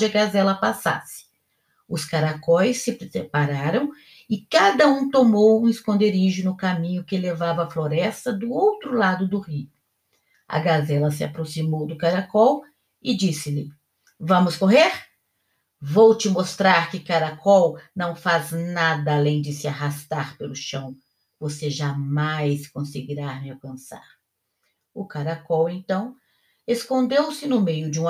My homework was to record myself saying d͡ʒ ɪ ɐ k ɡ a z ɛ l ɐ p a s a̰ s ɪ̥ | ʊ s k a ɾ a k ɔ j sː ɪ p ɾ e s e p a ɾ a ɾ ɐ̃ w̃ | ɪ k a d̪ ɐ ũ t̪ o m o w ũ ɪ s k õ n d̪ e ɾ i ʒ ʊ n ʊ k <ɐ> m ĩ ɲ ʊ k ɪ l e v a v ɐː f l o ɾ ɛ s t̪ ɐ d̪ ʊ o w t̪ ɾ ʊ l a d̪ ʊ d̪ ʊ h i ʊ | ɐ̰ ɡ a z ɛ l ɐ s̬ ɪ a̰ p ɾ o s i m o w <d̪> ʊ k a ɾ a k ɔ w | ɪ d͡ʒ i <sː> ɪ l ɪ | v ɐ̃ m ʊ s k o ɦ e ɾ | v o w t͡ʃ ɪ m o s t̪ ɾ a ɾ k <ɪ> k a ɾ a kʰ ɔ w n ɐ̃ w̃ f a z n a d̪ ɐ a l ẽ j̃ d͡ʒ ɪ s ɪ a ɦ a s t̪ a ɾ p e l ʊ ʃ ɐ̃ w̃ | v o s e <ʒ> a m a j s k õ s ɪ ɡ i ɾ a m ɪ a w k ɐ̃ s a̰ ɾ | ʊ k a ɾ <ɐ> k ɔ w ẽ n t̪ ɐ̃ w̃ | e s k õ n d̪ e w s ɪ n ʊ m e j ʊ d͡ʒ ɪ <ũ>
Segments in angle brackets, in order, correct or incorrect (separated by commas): incorrect, correct, incorrect, correct, correct, incorrect, correct